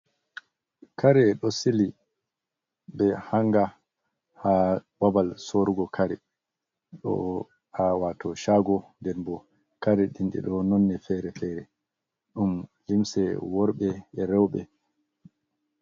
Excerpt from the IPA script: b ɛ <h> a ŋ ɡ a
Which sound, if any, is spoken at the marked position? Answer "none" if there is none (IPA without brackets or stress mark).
h